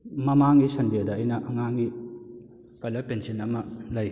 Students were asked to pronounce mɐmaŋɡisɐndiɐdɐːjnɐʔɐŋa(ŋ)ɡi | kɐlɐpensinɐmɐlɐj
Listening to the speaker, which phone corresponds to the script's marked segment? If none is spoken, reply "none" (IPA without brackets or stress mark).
ŋ